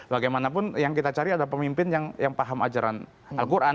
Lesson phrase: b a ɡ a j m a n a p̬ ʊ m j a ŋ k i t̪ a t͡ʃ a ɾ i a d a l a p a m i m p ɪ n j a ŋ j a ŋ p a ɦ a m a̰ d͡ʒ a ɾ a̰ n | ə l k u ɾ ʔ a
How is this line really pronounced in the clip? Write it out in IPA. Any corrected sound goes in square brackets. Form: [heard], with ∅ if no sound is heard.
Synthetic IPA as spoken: b a ɡ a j m a n a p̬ ʊ [n] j a ŋ k i t̪ a t͡ʃ a ɾ i a d a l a p [ə] m i m p ɪ n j a ŋ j a ŋ p a ɦ a m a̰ d͡ʒ a ɾ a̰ n | [a] l k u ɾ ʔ a